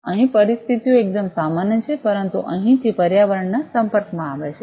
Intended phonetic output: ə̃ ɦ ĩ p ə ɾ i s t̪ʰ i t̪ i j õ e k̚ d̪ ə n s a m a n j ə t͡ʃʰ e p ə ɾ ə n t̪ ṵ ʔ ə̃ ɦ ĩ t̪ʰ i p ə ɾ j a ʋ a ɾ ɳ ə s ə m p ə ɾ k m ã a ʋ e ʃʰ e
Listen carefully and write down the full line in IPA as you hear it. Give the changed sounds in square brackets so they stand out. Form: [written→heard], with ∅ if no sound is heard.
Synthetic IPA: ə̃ ɦ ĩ p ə ɾ i s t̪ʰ i t̪ i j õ e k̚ d̪ ə [n→m] s a m a n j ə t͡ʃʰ e p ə ɾ ə n t̪ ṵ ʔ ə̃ ɦ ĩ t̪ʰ i p ə ɾ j a ʋ [a→ə] ɾ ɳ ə s ə m p ə ɾ k m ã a ʋ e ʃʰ e